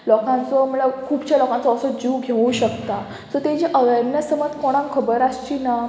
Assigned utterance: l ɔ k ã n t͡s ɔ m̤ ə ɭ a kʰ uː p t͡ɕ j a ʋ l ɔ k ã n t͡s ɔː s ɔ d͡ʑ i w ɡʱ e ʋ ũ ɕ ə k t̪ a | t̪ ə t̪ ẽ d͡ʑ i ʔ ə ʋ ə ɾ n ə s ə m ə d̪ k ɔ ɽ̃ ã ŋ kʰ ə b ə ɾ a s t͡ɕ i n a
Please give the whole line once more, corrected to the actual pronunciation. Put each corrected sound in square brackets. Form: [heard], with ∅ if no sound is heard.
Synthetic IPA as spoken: l ɔ k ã n t͡s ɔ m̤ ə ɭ a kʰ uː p t͡ɕ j a [∅] l ɔ k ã n t͡s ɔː s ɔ d͡ʑ i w ɡʱ e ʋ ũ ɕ ə k t̪ a | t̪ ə t̪ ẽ d͡ʑ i ʔ ə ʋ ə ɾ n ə s ə m ə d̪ k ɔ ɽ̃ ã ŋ kʰ ə b ə ɾ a s t͡ɕ i n a